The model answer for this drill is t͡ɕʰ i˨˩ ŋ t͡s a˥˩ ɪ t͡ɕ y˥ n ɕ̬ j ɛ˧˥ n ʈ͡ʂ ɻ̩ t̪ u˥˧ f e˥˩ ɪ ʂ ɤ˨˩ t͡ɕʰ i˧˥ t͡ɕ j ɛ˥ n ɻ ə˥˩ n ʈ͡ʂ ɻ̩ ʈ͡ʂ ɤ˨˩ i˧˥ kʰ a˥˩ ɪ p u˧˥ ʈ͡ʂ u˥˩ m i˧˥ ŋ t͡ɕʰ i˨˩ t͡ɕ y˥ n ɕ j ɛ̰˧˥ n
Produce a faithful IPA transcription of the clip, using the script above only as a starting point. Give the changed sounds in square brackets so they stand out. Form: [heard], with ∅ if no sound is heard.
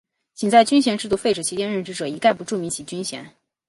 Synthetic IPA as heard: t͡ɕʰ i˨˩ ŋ t͡s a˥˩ ɪ t͡ɕ y˥ n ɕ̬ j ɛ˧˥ n ʈ͡ʂ ɻ̩ t̪ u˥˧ f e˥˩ ɪ [ʈ͡ʂ] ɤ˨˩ t͡ɕʰ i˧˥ t͡ɕ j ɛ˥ n ɻ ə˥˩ n ʈ͡ʂ ɻ̩ ʈ͡ʂ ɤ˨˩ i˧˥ [k] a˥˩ ɪ p u˧˥ ʈ͡ʂ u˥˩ m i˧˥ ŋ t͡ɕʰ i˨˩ t͡ɕ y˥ n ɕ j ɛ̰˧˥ n

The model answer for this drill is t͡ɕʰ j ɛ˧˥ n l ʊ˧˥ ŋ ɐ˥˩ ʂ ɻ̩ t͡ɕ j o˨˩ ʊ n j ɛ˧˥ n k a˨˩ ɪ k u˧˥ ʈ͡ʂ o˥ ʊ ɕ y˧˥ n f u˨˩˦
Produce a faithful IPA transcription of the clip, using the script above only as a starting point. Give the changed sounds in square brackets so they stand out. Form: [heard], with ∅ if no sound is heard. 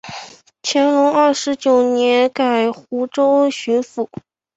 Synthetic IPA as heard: t͡ɕʰ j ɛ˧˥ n l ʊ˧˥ ŋ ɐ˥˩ ʂ ɻ̩ t͡ɕ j o˨˩ ʊ n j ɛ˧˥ n k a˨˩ ɪ [x] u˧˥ ʈ͡ʂ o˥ ʊ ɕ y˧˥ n f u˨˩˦

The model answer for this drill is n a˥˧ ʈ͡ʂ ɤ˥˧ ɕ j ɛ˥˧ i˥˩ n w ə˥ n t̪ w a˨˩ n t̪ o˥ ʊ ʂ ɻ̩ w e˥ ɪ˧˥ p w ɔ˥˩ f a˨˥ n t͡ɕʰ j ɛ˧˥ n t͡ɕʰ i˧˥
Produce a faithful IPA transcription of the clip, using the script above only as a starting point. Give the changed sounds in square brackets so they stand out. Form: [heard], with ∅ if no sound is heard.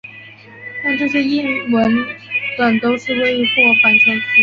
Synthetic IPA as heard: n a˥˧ ʈ͡ʂ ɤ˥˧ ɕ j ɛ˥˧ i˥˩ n w [ə˧˥] n t̪ w a˨˩ n t̪ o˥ ʊ ʂ ɻ̩ w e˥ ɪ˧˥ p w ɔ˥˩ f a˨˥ n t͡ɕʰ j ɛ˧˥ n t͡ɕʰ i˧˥

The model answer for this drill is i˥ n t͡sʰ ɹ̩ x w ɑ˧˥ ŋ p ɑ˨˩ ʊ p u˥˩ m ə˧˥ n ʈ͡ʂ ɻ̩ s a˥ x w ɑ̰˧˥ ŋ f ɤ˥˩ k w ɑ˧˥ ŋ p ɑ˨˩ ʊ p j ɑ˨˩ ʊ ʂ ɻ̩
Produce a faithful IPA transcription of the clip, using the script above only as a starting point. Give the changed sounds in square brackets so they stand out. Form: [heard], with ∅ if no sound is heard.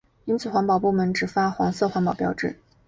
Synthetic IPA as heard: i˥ n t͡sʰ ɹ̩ x w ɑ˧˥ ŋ p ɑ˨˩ ʊ p u˥˩ m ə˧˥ n ʈ͡ʂ ɻ̩ [f] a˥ x w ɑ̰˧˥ ŋ [s] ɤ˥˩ [x] w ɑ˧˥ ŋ p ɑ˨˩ ʊ p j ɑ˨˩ ʊ [ʈ͡ʂ] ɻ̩

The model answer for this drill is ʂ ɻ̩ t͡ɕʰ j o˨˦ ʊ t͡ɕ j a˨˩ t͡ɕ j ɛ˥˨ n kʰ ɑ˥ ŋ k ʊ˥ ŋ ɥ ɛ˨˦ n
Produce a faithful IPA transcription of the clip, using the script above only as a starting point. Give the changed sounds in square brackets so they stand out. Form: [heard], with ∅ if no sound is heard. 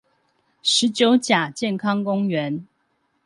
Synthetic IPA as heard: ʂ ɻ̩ [t͡ɕ] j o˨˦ ʊ t͡ɕ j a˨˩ t͡ɕ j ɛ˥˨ n kʰ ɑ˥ ŋ k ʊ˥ ŋ ɥ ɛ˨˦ n

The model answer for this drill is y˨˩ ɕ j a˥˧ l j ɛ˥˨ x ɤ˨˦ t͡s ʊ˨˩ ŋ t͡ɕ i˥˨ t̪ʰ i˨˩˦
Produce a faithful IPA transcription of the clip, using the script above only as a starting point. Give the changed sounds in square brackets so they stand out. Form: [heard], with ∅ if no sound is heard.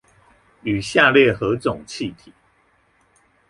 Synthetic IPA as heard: y˨˩ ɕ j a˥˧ l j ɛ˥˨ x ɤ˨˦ t͡s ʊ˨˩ ŋ [t͡ɕʰ] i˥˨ t̪ʰ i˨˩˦

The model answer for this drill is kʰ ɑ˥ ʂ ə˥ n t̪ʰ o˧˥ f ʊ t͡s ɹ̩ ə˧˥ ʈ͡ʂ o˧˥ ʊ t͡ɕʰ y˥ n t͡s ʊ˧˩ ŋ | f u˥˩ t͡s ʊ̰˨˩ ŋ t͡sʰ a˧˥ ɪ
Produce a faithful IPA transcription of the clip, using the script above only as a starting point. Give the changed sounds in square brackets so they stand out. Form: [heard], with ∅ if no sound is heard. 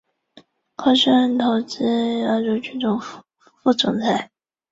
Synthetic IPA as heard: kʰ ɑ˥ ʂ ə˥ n t̪ʰ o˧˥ [∅] ʊ t͡s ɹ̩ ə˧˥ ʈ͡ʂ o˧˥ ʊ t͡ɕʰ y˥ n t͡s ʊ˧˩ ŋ | f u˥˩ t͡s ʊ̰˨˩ ŋ t͡sʰ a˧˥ ɪ

